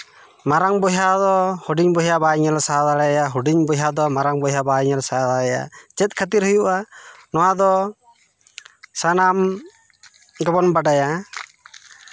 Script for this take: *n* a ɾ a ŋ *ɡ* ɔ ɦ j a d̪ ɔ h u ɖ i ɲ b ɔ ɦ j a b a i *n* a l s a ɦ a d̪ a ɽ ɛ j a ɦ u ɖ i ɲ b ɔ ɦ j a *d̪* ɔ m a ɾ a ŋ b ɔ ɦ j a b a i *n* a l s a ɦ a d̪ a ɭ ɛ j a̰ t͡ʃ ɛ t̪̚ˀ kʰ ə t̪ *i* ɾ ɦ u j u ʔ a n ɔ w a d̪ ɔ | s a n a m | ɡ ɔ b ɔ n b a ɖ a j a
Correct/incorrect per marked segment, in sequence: incorrect: m, incorrect: b, incorrect: ɲ, correct, incorrect: ɲ, correct

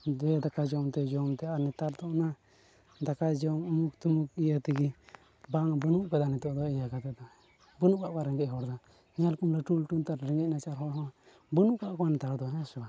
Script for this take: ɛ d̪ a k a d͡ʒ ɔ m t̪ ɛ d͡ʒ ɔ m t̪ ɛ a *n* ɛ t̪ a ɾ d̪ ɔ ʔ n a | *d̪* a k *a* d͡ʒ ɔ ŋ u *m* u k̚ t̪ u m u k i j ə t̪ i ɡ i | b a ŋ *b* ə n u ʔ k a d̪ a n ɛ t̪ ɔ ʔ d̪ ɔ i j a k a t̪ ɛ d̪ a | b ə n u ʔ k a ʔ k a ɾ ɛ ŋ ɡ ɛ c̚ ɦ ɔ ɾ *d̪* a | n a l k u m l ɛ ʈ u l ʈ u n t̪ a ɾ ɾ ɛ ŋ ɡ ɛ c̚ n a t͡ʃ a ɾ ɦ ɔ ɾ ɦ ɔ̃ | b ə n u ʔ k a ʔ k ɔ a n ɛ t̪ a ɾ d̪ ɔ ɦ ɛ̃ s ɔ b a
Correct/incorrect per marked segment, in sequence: correct, correct, correct, correct, correct, correct

